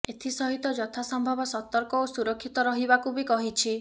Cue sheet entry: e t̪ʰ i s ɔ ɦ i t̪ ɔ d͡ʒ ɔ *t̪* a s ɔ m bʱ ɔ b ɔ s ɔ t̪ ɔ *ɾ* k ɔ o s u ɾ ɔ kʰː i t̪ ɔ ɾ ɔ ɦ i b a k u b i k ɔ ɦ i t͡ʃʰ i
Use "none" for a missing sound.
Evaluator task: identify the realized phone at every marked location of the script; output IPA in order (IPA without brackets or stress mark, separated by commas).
t̪ʰ, ɾ